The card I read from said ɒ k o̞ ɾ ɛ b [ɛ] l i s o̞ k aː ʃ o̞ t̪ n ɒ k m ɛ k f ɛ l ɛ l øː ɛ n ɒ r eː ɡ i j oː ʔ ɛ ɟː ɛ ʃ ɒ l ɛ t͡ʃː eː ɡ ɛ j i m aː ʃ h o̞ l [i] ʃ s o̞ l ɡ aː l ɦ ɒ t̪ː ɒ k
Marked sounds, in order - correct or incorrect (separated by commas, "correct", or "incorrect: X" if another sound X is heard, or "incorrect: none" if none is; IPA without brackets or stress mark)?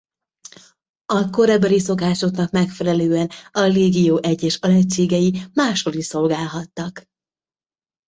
correct, correct